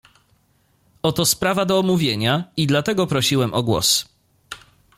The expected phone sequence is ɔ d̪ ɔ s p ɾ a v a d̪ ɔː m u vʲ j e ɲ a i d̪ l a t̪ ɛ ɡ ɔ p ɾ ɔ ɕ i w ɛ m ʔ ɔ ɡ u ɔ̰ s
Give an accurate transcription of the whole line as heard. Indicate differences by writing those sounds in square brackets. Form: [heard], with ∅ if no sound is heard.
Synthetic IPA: ɔ [t̪] ɔ s p ɾ a v a d̪ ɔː m u vʲ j e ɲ a i d̪ l a t̪ ɛ ɡ ɔ p ɾ ɔ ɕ i w ɛ m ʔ ɔ ɡ [w] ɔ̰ s